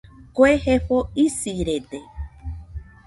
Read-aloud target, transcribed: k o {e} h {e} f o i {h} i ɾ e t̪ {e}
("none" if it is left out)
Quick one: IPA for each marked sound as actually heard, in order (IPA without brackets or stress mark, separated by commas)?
e, e, s, e